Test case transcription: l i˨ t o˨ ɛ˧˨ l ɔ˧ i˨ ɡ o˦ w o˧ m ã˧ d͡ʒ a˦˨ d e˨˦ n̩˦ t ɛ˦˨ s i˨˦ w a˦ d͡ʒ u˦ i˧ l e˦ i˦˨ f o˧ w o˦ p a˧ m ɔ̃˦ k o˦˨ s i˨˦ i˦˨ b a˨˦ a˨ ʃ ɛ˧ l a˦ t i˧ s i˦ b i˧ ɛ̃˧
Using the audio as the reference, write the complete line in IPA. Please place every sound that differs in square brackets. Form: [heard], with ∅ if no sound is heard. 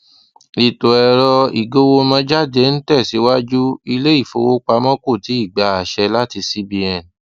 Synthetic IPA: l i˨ t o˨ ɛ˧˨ [ɾ] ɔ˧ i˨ ɡ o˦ w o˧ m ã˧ d͡ʒ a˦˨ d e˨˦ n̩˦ t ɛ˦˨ s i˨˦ w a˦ d͡ʒ u˦ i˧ l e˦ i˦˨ f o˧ w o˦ [k͡p] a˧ m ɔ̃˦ k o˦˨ [t] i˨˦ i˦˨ [ɡ͡b] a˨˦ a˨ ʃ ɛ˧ l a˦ t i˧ s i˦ b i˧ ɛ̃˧